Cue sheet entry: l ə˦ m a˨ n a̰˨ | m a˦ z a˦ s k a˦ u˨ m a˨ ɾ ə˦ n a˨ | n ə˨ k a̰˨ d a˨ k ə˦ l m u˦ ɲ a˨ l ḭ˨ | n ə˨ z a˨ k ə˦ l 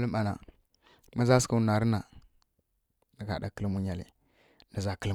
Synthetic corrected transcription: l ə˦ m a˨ n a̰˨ | m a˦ z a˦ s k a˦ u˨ n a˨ ɾ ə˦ n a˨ | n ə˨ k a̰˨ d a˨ k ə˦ l m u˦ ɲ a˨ l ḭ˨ | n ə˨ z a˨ k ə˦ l